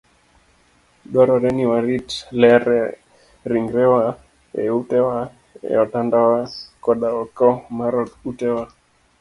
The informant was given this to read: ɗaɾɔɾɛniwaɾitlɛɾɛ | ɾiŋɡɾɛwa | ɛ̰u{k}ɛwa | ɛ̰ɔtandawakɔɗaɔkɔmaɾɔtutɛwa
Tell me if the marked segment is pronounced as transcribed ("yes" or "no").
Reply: no